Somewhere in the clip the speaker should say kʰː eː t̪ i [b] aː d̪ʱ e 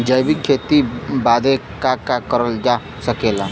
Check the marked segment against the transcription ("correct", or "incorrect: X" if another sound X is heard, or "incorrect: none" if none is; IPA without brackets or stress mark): correct